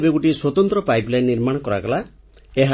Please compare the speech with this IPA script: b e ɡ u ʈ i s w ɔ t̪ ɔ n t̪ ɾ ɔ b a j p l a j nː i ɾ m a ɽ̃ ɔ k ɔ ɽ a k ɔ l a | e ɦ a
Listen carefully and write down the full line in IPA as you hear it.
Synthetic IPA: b e ɡ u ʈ i s w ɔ t̪ ɔ n t̪ ɾ ɔ p a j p l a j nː i ɾ m a ɽ̃ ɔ k ɔ ɾ a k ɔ l a | e ɦ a